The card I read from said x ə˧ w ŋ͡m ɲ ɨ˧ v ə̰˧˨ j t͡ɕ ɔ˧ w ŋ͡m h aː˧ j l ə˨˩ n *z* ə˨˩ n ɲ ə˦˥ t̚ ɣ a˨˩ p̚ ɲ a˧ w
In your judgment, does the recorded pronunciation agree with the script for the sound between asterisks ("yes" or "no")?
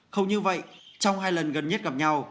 no